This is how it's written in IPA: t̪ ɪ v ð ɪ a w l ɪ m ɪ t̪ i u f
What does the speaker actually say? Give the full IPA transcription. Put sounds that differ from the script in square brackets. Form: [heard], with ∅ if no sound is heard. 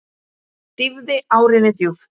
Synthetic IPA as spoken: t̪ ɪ v ð ɪ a w [ɾ] ɪ [n] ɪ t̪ [j] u f